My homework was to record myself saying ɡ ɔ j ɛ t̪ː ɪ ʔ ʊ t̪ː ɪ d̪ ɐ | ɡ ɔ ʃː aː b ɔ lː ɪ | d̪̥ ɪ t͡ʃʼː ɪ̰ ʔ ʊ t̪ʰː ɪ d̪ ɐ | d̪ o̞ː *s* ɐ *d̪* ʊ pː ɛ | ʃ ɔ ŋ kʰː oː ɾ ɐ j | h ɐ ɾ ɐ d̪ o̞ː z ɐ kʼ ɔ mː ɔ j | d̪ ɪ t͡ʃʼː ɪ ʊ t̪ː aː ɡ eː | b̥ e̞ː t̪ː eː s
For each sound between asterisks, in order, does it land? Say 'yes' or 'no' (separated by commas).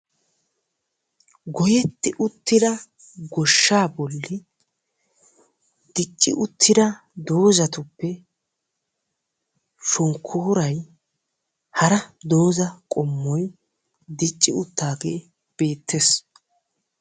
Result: no, no